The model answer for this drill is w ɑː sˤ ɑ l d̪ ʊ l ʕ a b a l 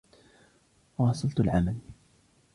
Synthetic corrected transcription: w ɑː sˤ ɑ l t̪ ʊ l ʕ a m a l